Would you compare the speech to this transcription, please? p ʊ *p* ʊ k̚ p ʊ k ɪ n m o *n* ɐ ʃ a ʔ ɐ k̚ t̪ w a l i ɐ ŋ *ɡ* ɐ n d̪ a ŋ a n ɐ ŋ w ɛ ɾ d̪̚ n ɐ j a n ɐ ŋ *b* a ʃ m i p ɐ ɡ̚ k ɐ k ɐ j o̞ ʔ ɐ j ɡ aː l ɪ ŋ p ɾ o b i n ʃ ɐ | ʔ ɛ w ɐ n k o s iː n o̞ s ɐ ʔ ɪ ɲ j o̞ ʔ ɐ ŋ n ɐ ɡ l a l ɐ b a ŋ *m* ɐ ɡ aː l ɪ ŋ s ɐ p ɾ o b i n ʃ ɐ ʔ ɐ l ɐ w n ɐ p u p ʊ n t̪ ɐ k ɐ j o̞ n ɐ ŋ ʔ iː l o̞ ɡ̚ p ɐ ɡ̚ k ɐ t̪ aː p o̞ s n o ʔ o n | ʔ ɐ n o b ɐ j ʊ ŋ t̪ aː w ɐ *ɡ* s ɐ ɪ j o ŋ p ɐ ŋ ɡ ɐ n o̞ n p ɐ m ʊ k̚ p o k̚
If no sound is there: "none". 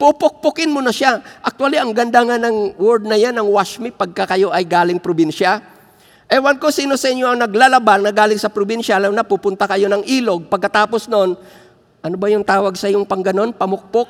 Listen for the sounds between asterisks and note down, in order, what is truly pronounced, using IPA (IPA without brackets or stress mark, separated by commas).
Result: p, n, ɡ, w, n, ɡ